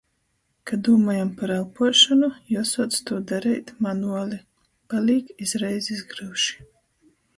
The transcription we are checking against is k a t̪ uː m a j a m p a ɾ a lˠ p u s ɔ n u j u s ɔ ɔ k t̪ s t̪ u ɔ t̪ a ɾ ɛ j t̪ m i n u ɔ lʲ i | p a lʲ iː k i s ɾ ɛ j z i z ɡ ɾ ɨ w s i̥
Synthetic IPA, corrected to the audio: k a d̪ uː m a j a m p a ɾ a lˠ p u ʃ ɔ n u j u s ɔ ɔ t̪ s t̪ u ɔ d̪ a ɾ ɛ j t̪ m a n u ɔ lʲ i | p a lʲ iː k i z ɾ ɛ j z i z ɡ ɾ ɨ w ʃ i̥